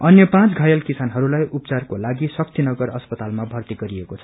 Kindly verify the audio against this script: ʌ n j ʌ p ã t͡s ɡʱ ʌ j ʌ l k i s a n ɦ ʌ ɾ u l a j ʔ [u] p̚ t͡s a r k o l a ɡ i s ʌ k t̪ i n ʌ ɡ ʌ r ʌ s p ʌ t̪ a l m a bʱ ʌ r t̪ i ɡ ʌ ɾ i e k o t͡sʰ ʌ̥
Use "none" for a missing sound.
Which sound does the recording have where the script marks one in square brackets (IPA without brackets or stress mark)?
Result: u